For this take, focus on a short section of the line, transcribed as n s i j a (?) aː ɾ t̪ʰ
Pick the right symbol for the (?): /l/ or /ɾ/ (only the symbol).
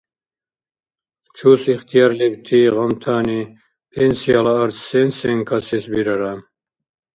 l